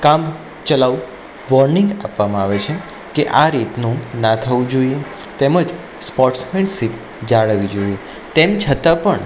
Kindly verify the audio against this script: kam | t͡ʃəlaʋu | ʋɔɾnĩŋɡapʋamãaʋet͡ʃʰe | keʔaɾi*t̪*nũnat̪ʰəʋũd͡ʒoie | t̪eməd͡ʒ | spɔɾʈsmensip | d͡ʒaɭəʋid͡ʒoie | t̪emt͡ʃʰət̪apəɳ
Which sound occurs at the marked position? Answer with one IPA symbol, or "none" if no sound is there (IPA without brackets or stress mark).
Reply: t̪